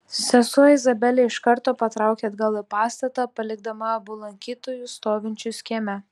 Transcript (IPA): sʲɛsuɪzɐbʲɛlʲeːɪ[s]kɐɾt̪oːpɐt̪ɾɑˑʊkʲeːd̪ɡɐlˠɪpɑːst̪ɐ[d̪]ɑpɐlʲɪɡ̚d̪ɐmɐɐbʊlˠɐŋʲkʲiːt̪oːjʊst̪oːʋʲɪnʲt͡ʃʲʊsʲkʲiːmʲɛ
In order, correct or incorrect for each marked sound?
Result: incorrect: ʃ, incorrect: t̪

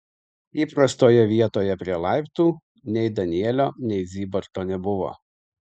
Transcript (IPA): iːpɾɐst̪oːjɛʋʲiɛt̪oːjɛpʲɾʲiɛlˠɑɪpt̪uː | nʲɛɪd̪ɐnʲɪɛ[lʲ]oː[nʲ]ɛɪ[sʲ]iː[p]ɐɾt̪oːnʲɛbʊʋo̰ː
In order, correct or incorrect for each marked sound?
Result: correct, correct, incorrect: zʲ, incorrect: b

